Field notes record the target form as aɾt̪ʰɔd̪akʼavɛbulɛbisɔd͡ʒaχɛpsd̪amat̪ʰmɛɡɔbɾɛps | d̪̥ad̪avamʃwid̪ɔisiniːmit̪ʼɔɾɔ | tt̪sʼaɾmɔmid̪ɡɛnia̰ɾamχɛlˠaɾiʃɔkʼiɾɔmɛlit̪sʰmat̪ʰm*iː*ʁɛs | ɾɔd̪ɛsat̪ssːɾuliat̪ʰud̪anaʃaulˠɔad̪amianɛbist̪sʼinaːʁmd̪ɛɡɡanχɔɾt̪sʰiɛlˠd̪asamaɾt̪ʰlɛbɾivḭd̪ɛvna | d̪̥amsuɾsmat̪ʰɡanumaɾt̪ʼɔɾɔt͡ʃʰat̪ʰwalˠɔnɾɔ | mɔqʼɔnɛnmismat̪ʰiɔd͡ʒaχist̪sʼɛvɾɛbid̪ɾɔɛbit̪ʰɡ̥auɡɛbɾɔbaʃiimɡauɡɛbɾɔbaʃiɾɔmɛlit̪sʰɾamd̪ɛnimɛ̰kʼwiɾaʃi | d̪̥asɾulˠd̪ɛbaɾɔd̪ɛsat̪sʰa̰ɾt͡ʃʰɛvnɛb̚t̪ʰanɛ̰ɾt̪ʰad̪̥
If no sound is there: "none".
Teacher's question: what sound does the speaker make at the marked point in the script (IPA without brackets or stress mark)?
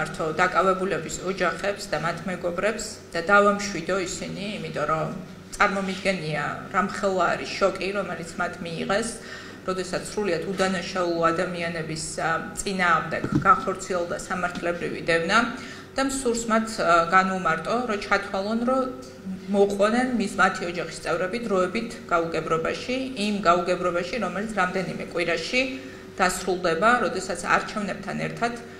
iː